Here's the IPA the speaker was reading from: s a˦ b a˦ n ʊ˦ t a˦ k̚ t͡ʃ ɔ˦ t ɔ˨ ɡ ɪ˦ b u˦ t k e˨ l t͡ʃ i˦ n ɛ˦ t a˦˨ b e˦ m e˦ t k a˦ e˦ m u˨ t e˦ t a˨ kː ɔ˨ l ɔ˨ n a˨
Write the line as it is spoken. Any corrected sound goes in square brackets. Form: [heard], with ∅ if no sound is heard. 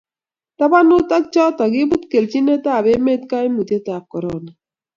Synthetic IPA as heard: [t] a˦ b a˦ n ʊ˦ t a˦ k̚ t͡ʃ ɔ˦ t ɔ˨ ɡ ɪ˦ b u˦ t k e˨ l t͡ʃ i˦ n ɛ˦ t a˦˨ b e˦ m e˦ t k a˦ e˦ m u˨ t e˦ t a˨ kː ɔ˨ [ɾ] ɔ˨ n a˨